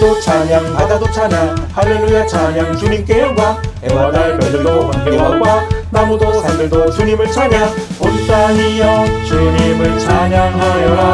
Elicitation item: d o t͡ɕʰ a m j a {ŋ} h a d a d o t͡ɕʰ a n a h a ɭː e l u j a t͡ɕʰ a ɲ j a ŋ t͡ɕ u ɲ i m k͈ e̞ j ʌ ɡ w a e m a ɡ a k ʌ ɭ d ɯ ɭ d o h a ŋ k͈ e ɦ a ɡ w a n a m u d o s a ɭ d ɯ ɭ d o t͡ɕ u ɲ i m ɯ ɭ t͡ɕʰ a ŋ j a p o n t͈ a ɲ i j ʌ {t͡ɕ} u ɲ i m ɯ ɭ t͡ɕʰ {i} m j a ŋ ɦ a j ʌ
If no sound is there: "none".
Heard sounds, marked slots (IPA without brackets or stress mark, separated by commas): ŋ, t͡ɕ, a